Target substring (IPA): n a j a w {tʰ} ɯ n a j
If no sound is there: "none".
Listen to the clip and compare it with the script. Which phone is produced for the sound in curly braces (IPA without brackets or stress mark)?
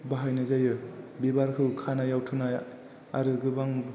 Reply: tʰ